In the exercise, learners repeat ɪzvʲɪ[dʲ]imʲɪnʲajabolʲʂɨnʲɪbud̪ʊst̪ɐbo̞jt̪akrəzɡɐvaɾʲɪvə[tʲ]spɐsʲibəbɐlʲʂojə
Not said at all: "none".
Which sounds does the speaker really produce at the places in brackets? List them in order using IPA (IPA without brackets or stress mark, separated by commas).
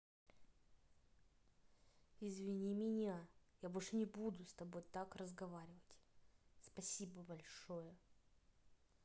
nʲ, tʲ